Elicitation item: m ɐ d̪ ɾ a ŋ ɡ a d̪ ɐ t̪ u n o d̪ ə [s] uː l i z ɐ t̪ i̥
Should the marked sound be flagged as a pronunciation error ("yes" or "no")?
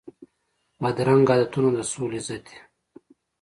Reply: no